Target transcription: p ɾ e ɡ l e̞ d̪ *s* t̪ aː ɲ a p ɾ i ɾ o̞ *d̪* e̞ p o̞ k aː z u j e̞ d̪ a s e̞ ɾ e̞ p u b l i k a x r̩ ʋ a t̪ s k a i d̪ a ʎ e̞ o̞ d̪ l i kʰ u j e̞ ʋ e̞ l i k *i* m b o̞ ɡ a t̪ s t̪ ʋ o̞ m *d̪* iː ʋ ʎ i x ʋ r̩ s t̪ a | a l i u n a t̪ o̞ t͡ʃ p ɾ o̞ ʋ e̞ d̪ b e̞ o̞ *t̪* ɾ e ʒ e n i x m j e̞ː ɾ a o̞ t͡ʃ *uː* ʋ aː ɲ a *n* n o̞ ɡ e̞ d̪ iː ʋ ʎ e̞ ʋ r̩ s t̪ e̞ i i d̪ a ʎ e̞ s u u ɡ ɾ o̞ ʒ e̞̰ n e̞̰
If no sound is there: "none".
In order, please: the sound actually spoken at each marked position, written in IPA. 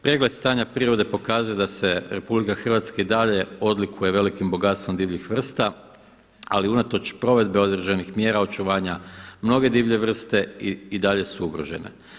s, d̪, i, d̪, d̪, u, m

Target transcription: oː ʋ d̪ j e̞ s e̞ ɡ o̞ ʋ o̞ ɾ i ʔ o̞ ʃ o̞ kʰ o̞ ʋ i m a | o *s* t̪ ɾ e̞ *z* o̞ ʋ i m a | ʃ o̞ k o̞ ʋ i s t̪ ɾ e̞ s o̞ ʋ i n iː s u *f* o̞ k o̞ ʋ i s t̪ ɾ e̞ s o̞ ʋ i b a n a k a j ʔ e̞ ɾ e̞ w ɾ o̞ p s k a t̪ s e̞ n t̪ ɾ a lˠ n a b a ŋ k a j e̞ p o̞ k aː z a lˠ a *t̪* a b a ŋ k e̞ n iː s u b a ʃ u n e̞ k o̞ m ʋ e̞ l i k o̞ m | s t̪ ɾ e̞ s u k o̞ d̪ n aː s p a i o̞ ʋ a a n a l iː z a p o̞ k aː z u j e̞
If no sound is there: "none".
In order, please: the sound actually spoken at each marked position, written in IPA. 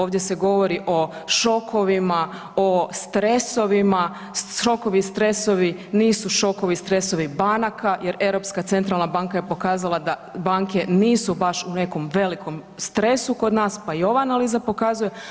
s, s, ʃ, d̪

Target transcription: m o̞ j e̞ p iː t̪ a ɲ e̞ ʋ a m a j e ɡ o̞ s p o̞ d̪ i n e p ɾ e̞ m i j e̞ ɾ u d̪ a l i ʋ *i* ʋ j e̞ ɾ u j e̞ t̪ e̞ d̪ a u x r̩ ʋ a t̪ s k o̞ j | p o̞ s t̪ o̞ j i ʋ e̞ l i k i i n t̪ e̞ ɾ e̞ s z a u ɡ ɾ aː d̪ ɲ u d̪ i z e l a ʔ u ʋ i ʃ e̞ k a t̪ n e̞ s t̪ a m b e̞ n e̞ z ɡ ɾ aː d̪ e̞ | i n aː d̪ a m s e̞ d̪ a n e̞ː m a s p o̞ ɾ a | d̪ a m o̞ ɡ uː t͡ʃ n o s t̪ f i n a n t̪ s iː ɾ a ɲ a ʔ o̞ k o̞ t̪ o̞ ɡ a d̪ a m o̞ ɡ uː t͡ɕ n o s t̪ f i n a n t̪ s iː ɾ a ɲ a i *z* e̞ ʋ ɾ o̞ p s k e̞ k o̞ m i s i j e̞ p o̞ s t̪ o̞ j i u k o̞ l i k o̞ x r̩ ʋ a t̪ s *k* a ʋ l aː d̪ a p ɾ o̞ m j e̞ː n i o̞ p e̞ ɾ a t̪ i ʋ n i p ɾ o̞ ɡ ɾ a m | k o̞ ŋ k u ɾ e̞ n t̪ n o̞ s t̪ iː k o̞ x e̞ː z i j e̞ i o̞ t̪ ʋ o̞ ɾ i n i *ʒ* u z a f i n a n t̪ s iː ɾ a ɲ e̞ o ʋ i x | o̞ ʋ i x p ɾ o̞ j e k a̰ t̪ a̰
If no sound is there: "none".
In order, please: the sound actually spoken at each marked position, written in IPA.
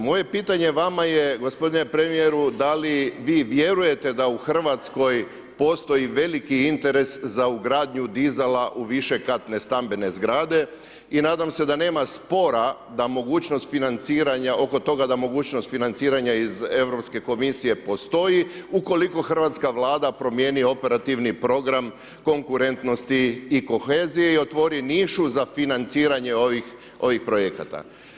iː, z, k, ʃ

